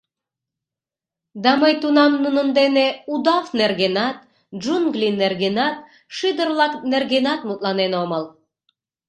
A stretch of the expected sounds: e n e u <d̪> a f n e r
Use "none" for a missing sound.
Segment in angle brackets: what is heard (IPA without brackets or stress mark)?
d̪